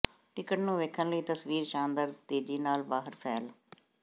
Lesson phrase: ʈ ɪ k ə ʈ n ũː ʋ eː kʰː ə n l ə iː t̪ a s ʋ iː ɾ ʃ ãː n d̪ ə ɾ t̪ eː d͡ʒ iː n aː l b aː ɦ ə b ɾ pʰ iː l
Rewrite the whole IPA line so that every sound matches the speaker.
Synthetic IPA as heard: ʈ ɪ k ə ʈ n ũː ʋ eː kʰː ə n l ə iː t̪ ə s ʋ iː ɾ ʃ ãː n d̪ ə ɾ t̪ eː d͡ʒ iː n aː l b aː ɦ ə ɾ pʰ ɛː l

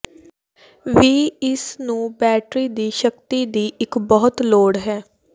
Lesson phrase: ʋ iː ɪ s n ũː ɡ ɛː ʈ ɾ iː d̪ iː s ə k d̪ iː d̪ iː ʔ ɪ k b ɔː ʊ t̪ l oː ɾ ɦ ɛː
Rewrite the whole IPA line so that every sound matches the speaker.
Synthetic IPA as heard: ʋ iː ɪ s n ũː b ɛː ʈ ɾ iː d̪ iː ʃ ə k t̪ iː d̪ iː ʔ ɪ k b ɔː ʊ t̪ l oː ɽ ɦ ɛː

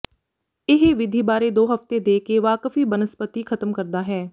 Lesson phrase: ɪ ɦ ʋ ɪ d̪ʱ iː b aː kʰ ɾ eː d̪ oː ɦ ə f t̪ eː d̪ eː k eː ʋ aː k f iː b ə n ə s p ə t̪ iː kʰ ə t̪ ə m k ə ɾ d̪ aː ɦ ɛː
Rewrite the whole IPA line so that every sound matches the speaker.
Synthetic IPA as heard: ɪ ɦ ʋ ɪ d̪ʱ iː b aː ɾ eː d̪ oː ɦ ə f t̪ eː d̪ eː k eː ʋ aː k f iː b ə n ə s p ə t̪ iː kʰ ə t̪ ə m k ə ɾ d̪ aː ɦ ɛː

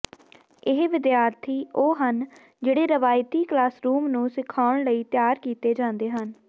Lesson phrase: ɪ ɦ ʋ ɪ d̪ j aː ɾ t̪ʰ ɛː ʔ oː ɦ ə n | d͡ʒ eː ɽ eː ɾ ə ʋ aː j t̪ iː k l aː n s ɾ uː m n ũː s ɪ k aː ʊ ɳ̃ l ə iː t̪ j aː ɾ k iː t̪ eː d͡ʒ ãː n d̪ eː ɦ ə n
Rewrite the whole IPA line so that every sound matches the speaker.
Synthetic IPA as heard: ɪ ɦ ʋ ɪ d̪ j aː ɾ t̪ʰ iː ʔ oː ɦ ə n | d͡ʒ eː ɽ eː ɾ ə ʋ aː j t̪ iː k l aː s ɾ uː m n ũː s ɪ kʰ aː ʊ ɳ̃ l ə iː t̪ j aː ɾ k iː t̪ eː d͡ʒ ãː n d̪ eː ɦ ə n

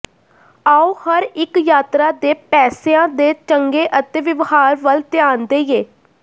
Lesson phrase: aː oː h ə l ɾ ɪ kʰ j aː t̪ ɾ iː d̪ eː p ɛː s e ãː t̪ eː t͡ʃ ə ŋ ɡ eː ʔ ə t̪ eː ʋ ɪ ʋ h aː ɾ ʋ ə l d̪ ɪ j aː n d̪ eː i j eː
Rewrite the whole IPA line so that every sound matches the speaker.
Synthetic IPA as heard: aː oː h ə ɾ ɪ k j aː t̪ ɾ aː d̪ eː p ɛː s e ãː d̪ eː t͡ʃ ə ŋ ɡ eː ʔ ə t̪ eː ʋ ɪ ʋ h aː ɾ ʋ ə l t̪ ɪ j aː n d̪ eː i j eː

